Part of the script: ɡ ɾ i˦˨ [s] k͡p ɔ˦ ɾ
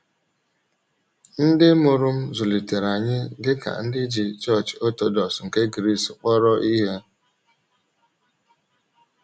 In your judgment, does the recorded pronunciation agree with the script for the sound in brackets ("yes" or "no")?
yes